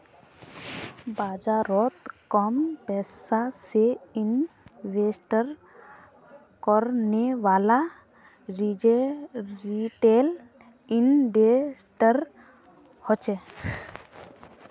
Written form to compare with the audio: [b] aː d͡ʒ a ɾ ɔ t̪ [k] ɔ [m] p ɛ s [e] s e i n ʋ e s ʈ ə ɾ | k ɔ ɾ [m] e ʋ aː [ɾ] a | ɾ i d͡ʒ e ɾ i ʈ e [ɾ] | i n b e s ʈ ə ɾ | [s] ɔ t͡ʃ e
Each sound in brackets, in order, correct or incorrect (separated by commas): correct, correct, correct, incorrect, incorrect, incorrect, incorrect, incorrect